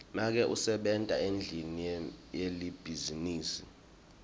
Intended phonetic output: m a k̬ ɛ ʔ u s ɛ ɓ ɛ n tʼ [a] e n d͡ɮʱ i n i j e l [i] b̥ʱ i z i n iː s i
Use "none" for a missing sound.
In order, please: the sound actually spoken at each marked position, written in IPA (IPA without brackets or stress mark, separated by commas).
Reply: a, i